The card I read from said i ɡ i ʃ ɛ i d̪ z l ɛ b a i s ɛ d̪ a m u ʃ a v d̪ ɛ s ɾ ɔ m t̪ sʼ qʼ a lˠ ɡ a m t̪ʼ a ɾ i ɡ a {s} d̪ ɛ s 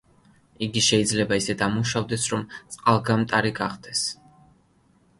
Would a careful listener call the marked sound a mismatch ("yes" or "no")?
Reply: yes